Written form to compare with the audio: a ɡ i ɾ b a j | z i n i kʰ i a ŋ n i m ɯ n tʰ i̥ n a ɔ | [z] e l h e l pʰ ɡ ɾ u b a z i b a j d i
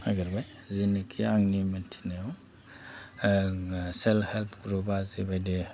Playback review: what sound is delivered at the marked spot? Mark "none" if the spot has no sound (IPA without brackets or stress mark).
s